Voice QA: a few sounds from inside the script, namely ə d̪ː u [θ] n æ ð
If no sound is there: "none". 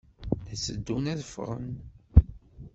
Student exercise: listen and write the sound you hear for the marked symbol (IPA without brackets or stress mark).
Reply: none